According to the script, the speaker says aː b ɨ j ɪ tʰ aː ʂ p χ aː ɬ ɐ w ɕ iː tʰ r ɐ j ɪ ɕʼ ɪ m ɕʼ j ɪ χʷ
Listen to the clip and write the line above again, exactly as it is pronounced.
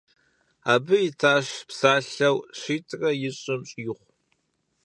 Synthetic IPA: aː b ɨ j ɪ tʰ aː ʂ p s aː ɬ ɐ w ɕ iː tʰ r ɐ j ɪ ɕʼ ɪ m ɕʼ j ɪ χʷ

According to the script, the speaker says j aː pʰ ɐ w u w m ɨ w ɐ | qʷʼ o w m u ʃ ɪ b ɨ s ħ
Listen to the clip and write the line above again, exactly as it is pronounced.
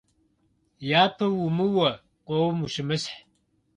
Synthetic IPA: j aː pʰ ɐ w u m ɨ w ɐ | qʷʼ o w m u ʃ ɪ m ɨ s ħ

